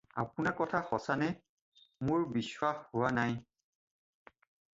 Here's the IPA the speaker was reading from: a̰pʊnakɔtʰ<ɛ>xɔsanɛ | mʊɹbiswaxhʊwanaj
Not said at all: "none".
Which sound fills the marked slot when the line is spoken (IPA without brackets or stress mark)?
a